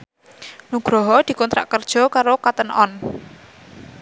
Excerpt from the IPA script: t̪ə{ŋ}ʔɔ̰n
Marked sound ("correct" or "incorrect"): incorrect